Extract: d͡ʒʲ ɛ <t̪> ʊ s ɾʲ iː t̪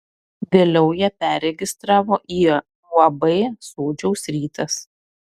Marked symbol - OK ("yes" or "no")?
no